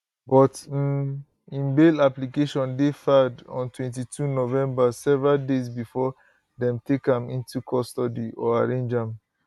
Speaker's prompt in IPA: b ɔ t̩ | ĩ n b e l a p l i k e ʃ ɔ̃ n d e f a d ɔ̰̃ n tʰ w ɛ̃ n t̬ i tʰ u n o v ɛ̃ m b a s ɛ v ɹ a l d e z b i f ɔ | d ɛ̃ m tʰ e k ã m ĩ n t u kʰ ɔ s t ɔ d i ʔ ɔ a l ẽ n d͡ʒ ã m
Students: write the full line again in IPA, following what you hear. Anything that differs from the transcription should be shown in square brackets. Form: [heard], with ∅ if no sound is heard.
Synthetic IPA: b ɔ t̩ | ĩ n b e l a p l i k e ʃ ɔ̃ n d e f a d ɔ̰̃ n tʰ w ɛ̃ n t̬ i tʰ u n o v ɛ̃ m b a s ɛ v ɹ a l d e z b i f ɔ | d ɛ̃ m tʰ e k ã m ĩ n t u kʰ ɔ s t ɔ d i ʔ ɔ a [ɹ] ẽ n d͡ʒ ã m